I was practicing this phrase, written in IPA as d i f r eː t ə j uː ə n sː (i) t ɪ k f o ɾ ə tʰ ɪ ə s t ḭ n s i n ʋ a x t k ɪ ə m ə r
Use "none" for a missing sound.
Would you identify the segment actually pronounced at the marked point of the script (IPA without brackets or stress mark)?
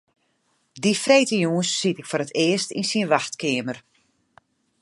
i